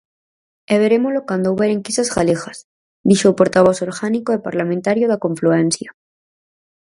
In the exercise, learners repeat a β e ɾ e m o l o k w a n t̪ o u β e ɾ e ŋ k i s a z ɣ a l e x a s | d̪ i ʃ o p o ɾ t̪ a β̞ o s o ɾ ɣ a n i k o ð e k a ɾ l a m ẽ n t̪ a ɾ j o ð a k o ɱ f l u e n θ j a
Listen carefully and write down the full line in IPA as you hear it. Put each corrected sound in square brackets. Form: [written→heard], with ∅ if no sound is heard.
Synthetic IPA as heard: [a→e] β e ɾ e m o l o k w a n [t̪→d̪] o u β e ɾ e ŋ k i s a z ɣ a l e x a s | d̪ i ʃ o p o ɾ t̪ a β̞ o s o ɾ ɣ a n i k o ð e [k→p] a ɾ l a m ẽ n t̪ a ɾ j o ð a k o ɱ f l u e n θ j a

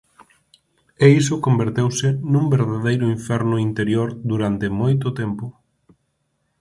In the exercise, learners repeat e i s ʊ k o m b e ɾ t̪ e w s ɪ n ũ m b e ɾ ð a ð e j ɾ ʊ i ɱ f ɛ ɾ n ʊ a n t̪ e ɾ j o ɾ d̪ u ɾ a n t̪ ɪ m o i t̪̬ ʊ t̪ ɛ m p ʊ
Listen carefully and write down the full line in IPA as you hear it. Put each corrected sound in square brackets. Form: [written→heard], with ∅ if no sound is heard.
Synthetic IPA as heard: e i s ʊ k o m b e ɾ t̪ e w s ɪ n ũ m b e ɾ ð a ð e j ɾ ʊ i ɱ f ɛ ɾ n ʊ [a→i] n t̪ e ɾ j o ɾ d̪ u ɾ a n t̪ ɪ m o [i→j] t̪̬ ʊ t̪ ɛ m p ʊ

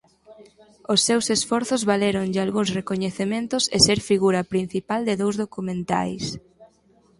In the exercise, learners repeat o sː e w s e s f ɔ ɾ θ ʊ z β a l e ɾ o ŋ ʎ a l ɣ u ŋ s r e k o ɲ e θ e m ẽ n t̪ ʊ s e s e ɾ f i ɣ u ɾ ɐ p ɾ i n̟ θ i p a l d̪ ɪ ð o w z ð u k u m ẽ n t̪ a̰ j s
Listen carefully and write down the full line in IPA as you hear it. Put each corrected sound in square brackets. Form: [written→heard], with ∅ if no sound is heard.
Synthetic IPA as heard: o sː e w s e s f ɔ ɾ θ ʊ z β a l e ɾ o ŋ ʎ a l ɣ u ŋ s r e k o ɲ e θ e m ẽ n t̪ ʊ s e s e ɾ f i ɣ u ɾ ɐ p ɾ i n̟ θ i p a l d̪ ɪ ð o w z ð [u→o] k u m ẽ n t̪ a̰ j s

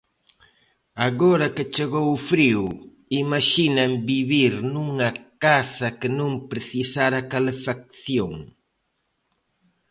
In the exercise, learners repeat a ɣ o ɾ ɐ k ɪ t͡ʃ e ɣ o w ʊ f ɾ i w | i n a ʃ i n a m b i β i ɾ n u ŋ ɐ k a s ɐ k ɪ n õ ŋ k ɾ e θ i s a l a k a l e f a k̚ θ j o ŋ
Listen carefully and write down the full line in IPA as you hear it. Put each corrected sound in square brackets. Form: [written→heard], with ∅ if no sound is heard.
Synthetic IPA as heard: a ɣ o ɾ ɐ k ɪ t͡ʃ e ɣ o w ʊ f ɾ i w | i [n→m] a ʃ i n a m b i β i ɾ n u ŋ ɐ k a s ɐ k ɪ n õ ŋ [k→p] ɾ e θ i s a [l→ɾ] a k a l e f a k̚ θ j o ŋ

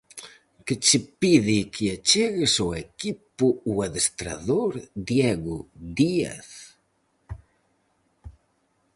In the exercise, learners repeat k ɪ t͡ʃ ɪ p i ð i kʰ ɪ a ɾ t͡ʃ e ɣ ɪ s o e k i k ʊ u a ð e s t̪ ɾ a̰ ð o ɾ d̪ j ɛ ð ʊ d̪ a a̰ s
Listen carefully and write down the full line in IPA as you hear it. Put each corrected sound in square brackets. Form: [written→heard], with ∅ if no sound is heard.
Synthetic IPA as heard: k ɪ t͡ʃ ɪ p i ð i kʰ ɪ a [ɾ→∅] t͡ʃ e ɣ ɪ s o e k i [k→p] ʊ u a ð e s t̪ ɾ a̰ ð o ɾ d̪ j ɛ [ð→ɣ] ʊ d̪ [a→i] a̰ [s→θ]

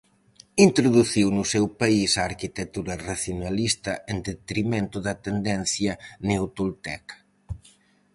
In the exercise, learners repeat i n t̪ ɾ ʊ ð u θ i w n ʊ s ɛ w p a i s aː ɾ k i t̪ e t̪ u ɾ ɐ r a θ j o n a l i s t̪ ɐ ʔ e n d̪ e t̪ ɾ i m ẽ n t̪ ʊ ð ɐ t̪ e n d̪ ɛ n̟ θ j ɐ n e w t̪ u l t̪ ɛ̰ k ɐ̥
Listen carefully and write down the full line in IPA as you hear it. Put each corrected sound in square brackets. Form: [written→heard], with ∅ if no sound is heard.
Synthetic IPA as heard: i n t̪ ɾ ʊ ð u θ i w n ʊ s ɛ w p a i s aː ɾ k i t̪ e t̪ u ɾ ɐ r a θ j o n a l i s t̪ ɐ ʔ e n d̪ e t̪ ɾ i m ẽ n t̪ ʊ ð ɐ t̪ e n d̪ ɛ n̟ θ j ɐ n e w t̪ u l t̪ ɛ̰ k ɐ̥

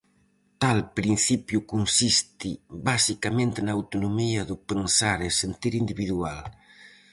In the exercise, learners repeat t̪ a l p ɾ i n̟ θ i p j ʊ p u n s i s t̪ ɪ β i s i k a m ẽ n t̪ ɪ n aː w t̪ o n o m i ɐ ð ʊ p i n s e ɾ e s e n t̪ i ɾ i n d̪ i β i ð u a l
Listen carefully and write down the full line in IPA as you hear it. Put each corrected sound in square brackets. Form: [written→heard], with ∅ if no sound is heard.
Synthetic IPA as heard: t̪ a l p ɾ i n̟ θ i p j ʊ [p→k] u n s i s t̪ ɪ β [i→a] s i k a m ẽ n t̪ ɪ n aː w t̪ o n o m i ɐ ð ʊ p [i→e] n s [e→a] ɾ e s e n t̪ i ɾ i n d̪ i β i ð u a l

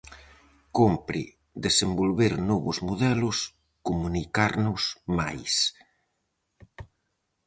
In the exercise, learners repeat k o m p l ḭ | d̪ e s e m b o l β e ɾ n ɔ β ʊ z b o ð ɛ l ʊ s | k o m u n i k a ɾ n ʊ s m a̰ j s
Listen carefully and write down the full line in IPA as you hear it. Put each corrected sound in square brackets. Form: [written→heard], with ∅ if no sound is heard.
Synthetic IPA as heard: k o m p [l→ɾ] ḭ | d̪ e s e m b o l β e ɾ n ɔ β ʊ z [b→m] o ð ɛ l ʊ s | k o m u n i k a ɾ n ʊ s m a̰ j s

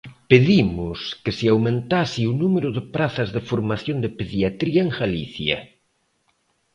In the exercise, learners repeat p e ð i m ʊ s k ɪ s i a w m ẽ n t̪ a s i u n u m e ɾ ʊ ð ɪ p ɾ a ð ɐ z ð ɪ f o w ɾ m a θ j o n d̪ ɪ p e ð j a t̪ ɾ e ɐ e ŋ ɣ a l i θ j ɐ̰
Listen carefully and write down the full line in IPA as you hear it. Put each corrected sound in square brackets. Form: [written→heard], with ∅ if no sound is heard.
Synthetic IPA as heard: p e ð i m ʊ s k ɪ s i a w m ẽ n t̪ a s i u n u m e ɾ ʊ ð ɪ p ɾ a [ð→θ] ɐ z ð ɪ f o [w→∅] ɾ m a θ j o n d̪ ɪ p e ð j a t̪ ɾ [e→i] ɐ e ŋ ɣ a l i θ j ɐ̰

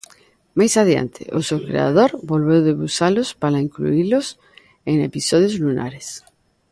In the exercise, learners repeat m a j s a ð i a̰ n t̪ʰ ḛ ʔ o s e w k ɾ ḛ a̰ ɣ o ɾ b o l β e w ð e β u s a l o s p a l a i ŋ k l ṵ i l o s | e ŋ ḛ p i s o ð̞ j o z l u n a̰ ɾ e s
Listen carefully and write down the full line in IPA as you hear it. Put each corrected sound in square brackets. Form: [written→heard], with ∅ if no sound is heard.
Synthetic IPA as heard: m a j s a ð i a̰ n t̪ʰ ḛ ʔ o s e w k ɾ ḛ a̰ [ɣ→ð] o ɾ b o l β e w ð e β u s a l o s p a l a i ŋ k l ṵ i l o s | e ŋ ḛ p i s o ð̞ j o z l u n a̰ ɾ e s

